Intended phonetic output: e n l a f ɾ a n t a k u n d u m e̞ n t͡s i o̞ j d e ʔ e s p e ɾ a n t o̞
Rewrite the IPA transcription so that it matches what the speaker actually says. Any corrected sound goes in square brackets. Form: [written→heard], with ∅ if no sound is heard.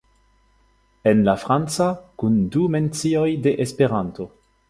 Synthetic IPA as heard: e n l a f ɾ a n [t→t͡s] a k u n d u m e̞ n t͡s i o̞ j d e ʔ e s p e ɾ a n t o̞